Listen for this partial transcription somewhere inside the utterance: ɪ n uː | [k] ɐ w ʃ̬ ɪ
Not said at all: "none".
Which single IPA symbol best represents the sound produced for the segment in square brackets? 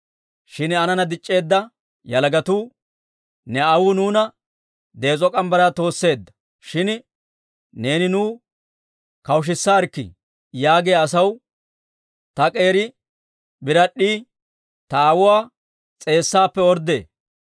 k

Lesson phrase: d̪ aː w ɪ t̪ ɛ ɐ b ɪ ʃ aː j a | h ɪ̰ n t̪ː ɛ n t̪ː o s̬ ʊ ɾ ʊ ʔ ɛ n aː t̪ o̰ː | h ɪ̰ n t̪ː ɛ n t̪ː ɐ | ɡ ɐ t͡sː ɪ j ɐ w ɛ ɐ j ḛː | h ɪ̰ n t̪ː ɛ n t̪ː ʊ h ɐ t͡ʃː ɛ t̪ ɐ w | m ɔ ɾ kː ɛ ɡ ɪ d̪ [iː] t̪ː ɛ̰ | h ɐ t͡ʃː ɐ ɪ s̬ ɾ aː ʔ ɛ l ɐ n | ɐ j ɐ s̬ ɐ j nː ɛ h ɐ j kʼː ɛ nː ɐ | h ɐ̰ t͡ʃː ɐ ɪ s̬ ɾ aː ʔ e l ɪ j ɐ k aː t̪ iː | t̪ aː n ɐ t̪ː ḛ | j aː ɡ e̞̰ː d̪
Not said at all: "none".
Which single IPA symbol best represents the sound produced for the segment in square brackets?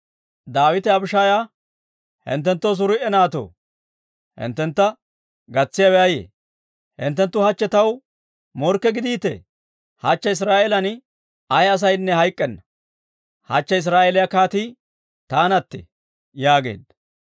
iː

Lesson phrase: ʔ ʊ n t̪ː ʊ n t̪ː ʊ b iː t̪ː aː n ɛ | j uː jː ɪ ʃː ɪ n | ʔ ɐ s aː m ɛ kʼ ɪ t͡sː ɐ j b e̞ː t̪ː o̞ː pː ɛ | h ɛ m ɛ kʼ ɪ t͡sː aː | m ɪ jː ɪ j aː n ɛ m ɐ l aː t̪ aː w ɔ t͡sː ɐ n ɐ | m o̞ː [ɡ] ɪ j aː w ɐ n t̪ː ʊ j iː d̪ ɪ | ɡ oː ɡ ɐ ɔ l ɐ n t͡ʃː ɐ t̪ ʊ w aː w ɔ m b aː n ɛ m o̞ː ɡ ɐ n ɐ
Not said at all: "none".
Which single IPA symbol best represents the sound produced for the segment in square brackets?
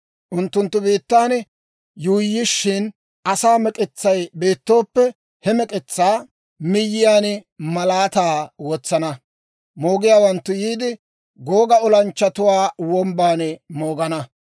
ɡ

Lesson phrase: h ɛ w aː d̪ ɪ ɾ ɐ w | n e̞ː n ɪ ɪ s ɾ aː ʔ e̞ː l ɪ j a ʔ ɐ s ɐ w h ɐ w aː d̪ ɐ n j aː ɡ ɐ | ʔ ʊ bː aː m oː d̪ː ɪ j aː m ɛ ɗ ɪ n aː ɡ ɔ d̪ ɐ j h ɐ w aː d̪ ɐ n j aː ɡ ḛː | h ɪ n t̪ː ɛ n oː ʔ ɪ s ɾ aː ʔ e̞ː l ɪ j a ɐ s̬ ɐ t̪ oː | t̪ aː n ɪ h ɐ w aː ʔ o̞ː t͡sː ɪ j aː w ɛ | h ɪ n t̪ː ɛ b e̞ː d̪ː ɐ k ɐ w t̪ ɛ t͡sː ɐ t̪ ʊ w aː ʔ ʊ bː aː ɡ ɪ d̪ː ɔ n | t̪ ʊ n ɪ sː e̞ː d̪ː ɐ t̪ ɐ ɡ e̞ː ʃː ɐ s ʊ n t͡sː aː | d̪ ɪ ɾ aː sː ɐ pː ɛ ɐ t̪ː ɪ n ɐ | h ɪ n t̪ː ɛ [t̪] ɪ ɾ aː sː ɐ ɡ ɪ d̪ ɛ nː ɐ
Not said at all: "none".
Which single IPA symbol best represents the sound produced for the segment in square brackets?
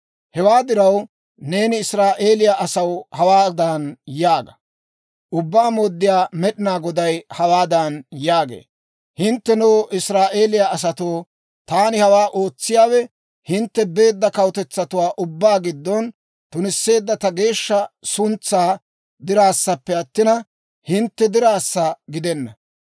d̪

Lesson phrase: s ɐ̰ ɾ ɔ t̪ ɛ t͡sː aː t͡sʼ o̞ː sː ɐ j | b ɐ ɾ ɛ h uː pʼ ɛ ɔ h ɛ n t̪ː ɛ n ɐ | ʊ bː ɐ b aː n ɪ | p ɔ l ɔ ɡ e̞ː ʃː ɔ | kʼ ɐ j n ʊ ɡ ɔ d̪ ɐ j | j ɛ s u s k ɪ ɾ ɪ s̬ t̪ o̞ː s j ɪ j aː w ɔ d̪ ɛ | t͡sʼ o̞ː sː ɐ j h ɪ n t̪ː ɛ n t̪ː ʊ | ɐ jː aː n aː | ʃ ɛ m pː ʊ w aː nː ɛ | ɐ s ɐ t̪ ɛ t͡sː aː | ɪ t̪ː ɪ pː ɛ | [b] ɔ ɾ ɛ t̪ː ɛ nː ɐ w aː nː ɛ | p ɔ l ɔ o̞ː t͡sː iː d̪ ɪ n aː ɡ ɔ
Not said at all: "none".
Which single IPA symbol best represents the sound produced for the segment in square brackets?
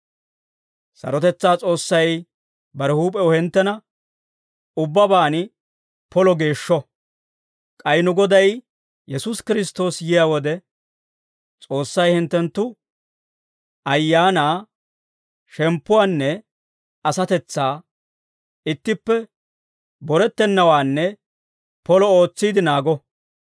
b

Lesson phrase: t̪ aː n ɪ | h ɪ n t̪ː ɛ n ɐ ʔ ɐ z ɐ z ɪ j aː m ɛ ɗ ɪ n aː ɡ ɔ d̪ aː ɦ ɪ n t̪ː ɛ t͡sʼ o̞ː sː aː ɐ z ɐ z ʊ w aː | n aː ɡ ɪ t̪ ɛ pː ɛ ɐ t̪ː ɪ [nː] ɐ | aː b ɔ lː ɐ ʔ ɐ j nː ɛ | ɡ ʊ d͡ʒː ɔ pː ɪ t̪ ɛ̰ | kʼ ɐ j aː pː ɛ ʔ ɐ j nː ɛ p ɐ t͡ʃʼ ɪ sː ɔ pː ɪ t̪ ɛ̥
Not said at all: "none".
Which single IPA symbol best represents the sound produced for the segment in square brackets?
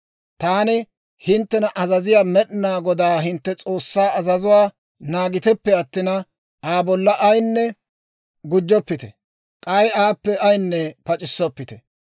n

